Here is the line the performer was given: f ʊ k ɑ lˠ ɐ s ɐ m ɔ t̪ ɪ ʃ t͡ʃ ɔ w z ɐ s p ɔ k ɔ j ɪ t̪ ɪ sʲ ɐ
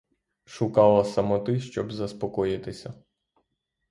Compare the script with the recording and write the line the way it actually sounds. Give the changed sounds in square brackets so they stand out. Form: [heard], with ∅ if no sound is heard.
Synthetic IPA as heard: [ʃ] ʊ k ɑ lˠ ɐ s ɐ m ɔ t̪ ɪ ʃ t͡ʃ ɔ [b] z ɐ s p ɔ k ɔ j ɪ t̪ ɪ sʲ ɐ